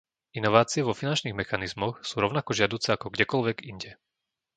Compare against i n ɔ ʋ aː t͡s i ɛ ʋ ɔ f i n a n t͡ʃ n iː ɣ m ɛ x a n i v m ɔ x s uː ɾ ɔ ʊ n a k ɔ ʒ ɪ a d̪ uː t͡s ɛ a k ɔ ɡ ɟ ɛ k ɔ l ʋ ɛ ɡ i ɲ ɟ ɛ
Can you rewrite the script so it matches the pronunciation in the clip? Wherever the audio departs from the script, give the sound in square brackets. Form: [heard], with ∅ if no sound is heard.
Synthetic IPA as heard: i n ɔ ʋ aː t͡s i ɛ ʋ ɔ f i n a n t͡ʃ n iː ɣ m ɛ x a n i [z] m ɔ x s uː ɾ ɔ ʊ n a k ɔ ʒ ɪ a d̪ uː t͡s ɛ a k ɔ ɡ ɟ ɛ k ɔ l ʋ ɛ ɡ i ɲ ɟ ɛ